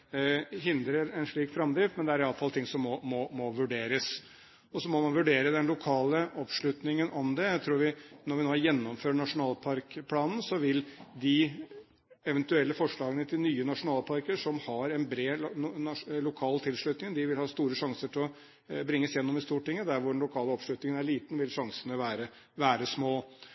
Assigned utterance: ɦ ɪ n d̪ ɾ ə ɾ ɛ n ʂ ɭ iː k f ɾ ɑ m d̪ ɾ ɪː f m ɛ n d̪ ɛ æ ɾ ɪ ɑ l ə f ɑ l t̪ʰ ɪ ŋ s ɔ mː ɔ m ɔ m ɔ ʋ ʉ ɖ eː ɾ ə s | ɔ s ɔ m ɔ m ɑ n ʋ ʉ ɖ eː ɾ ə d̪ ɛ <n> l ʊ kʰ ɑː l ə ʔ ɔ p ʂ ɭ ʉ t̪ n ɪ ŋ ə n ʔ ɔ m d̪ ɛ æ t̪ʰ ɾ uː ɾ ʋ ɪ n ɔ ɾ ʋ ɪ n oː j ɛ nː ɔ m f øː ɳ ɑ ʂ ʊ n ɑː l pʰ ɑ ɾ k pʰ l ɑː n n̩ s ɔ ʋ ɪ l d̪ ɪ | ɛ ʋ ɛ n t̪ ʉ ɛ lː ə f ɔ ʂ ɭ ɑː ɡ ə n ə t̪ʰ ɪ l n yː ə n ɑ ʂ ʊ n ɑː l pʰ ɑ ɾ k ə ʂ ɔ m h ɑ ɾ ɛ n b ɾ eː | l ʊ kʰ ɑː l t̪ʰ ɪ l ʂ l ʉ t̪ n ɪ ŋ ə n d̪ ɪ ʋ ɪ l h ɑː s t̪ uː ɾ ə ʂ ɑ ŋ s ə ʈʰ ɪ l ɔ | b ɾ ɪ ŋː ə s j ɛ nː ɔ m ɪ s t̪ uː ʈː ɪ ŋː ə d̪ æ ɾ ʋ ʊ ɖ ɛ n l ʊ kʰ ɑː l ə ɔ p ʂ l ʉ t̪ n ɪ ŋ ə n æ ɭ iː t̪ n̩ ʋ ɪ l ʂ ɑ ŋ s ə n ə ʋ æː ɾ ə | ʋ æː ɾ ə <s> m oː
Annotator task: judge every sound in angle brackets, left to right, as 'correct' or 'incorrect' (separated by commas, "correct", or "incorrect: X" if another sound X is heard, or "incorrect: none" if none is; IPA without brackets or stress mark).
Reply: correct, correct